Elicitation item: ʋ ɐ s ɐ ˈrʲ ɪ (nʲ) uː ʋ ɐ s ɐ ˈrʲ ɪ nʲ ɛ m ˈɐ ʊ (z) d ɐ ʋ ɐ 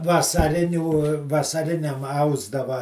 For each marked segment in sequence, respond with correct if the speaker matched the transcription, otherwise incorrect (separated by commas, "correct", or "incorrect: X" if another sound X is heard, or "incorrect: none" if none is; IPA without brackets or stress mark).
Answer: correct, correct